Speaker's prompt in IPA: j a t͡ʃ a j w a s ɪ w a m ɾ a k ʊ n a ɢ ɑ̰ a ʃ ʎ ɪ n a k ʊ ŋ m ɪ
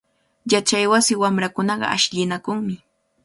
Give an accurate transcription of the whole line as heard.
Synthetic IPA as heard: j a t͡ʃ a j w a s ɪ w a m ɾ a k ʊ n ɑ ɢ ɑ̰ a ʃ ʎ ɪ n a k ʊ ŋ m ɪ